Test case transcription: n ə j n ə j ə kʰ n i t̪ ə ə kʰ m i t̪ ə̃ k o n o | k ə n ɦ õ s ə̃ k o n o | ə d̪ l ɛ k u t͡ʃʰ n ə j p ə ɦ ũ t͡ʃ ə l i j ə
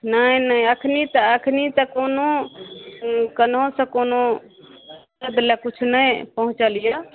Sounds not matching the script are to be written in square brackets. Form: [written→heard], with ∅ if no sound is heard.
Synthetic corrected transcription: n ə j n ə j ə kʰ n i t̪ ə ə kʰ [m→n] i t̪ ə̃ k o n o | k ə n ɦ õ s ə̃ k o n o | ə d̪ l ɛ k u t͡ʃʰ n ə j p ə ɦ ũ t͡ʃ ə l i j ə